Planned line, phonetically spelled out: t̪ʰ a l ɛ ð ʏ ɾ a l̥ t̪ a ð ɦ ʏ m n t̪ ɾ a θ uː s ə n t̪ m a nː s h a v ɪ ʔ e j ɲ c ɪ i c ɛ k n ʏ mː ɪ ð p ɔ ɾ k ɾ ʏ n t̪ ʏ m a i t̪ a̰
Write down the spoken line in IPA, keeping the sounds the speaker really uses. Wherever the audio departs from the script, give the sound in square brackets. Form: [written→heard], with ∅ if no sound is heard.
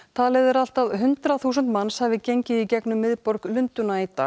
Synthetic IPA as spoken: t̪ʰ a l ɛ ð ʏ ɾ a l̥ t̪ a ð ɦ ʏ [m→∅] n t̪ ɾ a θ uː s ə n t̪ m a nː s h a v ɪ [ʔ→c] e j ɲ c ɪ i c ɛ k n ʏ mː ɪ ð p ɔ ɾ k [ɾ→l] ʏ n t̪ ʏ [m→n] a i t̪ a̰